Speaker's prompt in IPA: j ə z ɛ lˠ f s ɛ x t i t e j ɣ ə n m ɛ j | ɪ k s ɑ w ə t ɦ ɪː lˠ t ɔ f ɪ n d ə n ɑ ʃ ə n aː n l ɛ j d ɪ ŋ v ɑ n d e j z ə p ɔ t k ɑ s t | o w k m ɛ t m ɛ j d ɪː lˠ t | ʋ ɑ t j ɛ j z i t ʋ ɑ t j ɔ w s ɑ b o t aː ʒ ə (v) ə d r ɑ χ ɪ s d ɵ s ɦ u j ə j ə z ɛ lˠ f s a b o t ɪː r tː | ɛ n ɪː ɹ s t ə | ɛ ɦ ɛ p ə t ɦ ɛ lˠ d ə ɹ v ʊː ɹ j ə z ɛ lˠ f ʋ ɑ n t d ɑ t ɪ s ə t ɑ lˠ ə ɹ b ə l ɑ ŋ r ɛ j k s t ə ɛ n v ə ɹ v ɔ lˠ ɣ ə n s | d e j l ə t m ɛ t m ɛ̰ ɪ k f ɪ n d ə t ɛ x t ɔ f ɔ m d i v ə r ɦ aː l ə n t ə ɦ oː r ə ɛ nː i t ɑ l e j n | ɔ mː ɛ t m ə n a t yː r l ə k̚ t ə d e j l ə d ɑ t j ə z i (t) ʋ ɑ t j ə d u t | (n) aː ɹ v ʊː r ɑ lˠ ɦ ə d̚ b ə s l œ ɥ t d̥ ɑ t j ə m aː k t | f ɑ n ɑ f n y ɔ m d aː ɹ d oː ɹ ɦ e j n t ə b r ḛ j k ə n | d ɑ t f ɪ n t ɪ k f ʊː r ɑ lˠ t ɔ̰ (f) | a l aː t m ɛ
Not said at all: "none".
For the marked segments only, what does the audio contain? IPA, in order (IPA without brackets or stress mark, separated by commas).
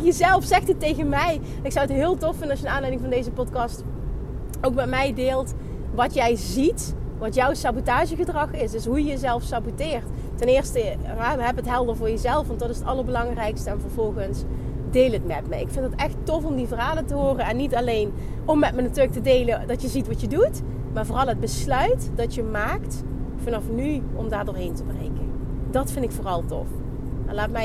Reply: ɣ, t, m, f